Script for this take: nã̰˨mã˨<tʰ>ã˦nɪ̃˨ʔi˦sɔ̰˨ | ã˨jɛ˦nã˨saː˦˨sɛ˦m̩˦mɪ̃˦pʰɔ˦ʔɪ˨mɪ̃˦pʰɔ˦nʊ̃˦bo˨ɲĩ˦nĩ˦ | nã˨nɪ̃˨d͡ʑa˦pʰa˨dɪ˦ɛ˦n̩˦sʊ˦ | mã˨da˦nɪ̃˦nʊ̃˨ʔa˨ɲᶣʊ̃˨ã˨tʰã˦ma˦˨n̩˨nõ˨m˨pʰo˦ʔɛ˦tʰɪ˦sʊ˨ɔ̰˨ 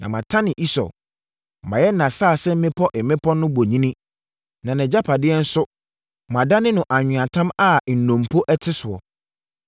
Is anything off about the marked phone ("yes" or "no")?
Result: no